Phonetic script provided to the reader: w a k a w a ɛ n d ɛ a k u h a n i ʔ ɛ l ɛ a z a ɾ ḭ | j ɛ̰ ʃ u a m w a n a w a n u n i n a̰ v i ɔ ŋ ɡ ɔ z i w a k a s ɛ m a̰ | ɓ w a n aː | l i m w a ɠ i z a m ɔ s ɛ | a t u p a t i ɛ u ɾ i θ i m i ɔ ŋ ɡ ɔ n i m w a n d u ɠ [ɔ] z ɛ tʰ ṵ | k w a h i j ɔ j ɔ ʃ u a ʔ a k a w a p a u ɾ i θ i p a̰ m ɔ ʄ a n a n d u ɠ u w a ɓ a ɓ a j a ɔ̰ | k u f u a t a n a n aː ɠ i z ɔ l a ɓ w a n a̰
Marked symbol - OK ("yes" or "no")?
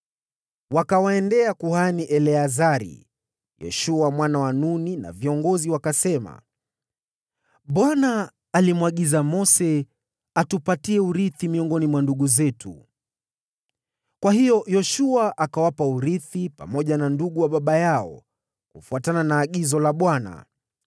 no